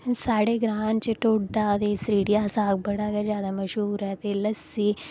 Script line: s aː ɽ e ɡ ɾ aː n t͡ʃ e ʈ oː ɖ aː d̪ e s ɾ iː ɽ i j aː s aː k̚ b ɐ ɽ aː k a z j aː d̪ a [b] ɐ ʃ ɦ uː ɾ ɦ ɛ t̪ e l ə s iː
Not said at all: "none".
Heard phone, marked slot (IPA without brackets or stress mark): m